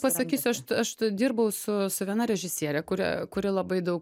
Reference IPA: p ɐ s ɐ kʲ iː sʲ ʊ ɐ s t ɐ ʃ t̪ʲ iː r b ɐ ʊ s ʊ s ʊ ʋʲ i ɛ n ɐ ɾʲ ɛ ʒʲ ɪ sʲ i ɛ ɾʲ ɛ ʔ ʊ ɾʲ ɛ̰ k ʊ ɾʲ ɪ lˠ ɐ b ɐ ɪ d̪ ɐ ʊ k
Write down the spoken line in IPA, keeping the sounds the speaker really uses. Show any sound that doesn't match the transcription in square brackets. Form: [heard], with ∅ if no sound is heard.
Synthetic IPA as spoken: p ɐ s ɐ kʲ iː sʲ ʊ ɐ [ʃ] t ɐ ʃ [d̪ʲ] iː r b ɐ ʊ s ʊ s ʊ ʋʲ i ɛ n ɐ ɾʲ ɛ ʒʲ ɪ sʲ i ɛ ɾʲ ɛ [k] ʊ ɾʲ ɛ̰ k ʊ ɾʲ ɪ lˠ ɐ b ɐ ɪ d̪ ɐ ʊ k

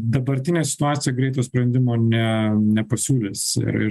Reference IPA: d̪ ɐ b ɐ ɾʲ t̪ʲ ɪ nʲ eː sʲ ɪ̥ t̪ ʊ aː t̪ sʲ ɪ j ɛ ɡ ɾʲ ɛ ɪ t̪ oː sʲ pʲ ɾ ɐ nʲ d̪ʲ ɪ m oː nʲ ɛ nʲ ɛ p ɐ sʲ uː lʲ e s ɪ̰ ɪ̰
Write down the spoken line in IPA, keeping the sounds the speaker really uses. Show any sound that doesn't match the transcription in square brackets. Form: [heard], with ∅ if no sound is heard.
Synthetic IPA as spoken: d̪ ɐ b ɐ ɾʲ t̪ʲ ɪ nʲ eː sʲ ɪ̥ t̪ ʊ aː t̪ sʲ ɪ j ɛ ɡ ɾʲ ɛ ɪ t̪ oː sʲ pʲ ɾ ɐ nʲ d̪ʲ ɪ m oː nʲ ɛ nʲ ɛ p ɐ sʲ uː lʲ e s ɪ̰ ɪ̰

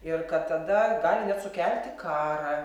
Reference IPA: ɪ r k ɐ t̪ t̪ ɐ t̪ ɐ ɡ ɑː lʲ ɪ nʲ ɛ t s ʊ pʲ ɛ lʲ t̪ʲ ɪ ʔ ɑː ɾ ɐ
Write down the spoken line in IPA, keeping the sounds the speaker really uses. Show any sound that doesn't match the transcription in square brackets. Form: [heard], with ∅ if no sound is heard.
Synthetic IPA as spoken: ɪ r k ɐ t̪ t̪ ɐ [d̪] ɐ ɡ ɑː lʲ ɪ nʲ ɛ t s ʊ [kʲ] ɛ lʲ t̪ʲ ɪ [k] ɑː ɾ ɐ

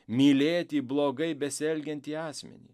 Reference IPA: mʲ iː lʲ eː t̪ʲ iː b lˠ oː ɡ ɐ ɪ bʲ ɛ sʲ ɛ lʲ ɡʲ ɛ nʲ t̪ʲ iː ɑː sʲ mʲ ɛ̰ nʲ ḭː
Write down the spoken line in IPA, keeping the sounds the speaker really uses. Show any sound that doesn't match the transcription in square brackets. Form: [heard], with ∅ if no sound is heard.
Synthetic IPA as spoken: mʲ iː lʲ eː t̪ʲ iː b lˠ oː ɡ ɐ ɪ bʲ ɛ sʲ ɛ lʲ ɡʲ ɛ nʲ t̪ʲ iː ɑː sʲ mʲ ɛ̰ nʲ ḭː

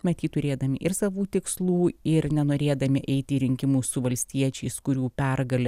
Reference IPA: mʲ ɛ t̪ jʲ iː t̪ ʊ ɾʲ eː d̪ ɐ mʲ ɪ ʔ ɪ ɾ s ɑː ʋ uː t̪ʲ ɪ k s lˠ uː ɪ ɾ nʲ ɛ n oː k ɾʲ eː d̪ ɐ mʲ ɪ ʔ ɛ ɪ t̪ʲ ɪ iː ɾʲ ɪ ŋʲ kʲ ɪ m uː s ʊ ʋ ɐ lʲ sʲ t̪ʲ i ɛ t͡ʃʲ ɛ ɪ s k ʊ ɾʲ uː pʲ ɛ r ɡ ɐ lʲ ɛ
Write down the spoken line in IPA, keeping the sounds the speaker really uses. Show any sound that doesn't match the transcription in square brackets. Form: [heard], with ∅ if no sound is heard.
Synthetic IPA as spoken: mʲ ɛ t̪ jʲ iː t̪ ʊ ɾʲ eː d̪ ɐ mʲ ɪ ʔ ɪ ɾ s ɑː ʋ uː t̪ʲ ɪ k s lˠ uː ɪ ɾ nʲ ɛ n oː [∅] ɾʲ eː d̪ ɐ mʲ ɪ ʔ ɛ ɪ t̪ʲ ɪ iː ɾʲ ɪ ŋʲ kʲ ɪ m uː s ʊ ʋ ɐ lʲ sʲ t̪ʲ i ɛ t͡ʃʲ ɛ ɪ s k ʊ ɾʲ uː pʲ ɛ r ɡ ɐ lʲ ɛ

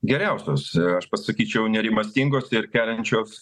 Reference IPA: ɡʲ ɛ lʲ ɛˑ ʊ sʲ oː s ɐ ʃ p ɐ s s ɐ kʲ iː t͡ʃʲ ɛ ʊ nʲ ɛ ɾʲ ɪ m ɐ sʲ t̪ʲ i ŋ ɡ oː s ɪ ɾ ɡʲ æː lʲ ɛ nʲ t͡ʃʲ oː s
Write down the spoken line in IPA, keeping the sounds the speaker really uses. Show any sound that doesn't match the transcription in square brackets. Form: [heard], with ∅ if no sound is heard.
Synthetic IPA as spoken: ɡʲ ɛ [ɾʲ] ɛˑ ʊ sʲ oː s ɐ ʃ p ɐ s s ɐ kʲ iː t͡ʃʲ ɛ ʊ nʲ ɛ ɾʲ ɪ m ɐ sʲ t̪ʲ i ŋ ɡ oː s ɪ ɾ [kʲ] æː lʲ ɛ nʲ t͡ʃʲ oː s

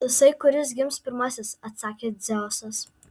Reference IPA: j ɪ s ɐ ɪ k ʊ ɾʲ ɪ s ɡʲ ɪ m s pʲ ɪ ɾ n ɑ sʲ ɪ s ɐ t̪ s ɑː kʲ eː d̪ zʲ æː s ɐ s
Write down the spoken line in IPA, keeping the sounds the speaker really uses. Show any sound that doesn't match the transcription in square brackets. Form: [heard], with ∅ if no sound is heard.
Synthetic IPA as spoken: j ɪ s ɐ ɪ k ʊ ɾʲ ɪ s ɡʲ ɪ m s pʲ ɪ ɾ [m] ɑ sʲ ɪ s ɐ t̪ s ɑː kʲ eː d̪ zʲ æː s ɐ s

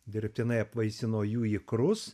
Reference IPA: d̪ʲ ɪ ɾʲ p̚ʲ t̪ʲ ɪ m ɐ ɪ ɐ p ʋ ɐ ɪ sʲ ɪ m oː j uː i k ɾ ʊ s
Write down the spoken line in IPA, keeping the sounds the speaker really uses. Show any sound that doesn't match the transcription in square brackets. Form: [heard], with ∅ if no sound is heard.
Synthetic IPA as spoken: d̪ʲ ɪ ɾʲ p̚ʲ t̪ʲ ɪ [n] ɐ ɪ ɐ p ʋ ɐ ɪ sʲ ɪ [n] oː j uː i k ɾ ʊ s

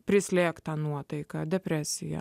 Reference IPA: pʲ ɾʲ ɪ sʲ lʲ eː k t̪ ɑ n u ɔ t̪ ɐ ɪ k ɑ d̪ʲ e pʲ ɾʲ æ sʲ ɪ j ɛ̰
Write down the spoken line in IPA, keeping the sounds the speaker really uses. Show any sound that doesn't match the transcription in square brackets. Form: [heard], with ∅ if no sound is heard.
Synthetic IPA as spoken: pʲ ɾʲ ɪ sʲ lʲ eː k t̪ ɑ n u ɔ t̪ ɐ ɪ k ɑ d̪ʲ [ɛ] pʲ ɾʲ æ sʲ ɪ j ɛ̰

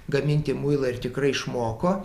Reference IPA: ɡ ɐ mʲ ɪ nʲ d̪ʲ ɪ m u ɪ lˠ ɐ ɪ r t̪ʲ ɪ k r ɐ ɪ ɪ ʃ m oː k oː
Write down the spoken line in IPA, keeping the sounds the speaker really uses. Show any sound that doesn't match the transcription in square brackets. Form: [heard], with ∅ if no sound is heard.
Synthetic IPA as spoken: ɡ ɐ mʲ ɪ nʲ [t̪ʲ] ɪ m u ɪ lˠ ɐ ɪ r t̪ʲ ɪ k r ɐ ɪ ɪ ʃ m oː k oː

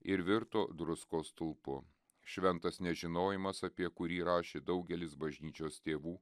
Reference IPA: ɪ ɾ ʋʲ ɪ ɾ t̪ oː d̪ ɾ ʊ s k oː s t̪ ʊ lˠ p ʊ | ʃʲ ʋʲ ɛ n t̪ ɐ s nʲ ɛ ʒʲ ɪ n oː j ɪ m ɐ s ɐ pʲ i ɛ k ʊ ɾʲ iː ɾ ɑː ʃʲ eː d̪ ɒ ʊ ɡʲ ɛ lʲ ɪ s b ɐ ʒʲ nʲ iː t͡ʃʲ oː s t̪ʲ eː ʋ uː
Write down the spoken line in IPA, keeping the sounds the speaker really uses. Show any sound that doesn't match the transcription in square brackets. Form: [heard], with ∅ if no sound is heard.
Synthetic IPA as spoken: ɪ ɾ ʋʲ ɪ ɾ t̪ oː d̪ ɾ ʊ s k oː s t̪ ʊ lˠ p ʊ | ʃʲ ʋʲ ɛ n t̪ ɐ s nʲ ɛ ʒʲ ɪ n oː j ɪ m ɐ s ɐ pʲ i ɛ k ʊ ɾʲ iː ɾ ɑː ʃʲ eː d̪ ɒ ʊ ɡʲ ɛ lʲ ɪ s b ɐ ʒʲ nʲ iː t͡ʃʲ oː s t̪ʲ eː ʋ uː

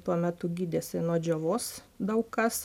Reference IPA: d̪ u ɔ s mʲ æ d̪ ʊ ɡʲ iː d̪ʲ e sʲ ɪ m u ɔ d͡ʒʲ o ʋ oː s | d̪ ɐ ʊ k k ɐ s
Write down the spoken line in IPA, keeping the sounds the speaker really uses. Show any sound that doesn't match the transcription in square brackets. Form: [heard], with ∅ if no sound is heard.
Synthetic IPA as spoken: [t̪] u ɔ [∅] mʲ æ [t̪] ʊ ɡʲ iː d̪ʲ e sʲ ɪ [n] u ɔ d͡ʒʲ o ʋ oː s | d̪ ɐ ʊ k k ɐ s

